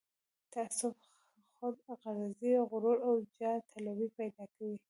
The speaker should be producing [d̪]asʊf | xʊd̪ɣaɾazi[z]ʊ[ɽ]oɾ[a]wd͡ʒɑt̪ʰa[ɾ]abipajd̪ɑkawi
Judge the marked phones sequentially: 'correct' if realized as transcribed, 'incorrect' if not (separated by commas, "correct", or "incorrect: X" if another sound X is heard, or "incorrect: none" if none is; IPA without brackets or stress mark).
incorrect: t̪, incorrect: ɣ, incorrect: ɾ, correct, incorrect: l